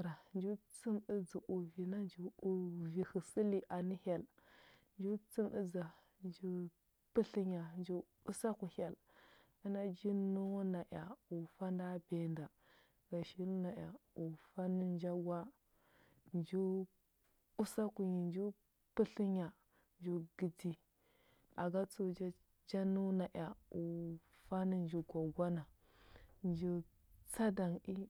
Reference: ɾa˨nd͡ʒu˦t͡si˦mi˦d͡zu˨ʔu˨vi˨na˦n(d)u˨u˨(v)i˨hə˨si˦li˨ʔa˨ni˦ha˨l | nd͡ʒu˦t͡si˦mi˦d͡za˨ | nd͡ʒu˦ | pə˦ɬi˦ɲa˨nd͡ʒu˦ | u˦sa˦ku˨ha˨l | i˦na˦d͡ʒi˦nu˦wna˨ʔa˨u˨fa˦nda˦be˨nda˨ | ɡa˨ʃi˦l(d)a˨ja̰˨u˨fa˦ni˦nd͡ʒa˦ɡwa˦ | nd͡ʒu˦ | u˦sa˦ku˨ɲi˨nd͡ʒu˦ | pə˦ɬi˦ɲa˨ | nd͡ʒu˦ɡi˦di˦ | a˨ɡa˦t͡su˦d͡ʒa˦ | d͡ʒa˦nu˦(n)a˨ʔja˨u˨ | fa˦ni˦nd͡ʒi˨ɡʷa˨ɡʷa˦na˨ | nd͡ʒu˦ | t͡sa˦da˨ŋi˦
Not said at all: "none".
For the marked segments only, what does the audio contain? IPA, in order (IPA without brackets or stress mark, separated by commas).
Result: d͡ʒ, v, n, n